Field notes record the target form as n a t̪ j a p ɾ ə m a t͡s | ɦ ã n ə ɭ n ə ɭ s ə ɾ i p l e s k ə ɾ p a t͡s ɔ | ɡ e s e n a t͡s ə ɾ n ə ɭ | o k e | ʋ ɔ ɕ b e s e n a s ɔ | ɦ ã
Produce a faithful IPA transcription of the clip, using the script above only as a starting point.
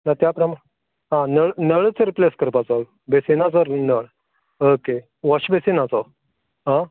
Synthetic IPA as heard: n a t̪ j a p ɾ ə m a | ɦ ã n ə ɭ n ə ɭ t͡s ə ɾ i p l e s k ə ɾ p a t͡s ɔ | b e s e n a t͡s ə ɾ n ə ɭ | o k e | ʋ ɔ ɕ b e s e n a t͡s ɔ | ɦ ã